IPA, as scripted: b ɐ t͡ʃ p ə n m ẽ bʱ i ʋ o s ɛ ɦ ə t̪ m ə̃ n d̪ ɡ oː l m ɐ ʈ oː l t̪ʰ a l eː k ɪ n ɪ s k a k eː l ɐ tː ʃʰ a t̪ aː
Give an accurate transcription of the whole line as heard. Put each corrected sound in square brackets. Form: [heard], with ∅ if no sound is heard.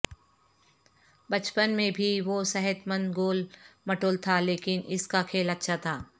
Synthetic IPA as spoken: b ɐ t͡ʃ p ə n m ẽ bʱ i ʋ o s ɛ ɦ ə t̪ m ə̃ n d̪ ɡ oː l m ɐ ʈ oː l t̪ʰ a l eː k ɪ n ɪ s k a [kʰ] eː l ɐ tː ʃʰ a [t̪ʰ] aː